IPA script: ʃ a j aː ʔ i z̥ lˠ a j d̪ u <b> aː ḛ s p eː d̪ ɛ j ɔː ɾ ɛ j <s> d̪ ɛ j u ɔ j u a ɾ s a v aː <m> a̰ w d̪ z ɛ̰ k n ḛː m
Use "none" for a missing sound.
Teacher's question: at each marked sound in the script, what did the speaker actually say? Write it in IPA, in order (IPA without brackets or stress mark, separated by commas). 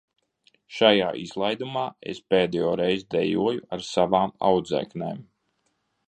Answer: m, z, m